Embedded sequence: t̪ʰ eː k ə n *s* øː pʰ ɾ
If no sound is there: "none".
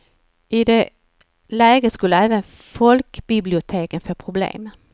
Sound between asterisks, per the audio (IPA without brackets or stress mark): f